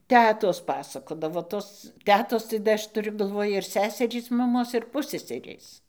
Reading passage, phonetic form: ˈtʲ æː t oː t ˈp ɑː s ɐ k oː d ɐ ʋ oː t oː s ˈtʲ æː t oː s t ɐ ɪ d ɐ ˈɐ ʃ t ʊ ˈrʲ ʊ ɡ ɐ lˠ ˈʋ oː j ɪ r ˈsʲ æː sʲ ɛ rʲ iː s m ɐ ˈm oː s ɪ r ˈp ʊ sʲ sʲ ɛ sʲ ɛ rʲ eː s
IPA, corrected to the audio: ˈtʲ æː t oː s ˈp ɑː s ɐ k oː d ɐ ʋ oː t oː s ˈtʲ æː t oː s t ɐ ɪ d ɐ ˈɐ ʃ t ʊ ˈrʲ ʊ ɡ ɐ lˠ ˈʋ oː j ɪ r ˈsʲ æː sʲ ɛ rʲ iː s m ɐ ˈm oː s ɪ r ˈp ʊ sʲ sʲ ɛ sʲ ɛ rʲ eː s